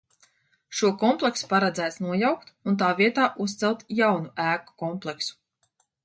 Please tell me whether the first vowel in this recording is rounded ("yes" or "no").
yes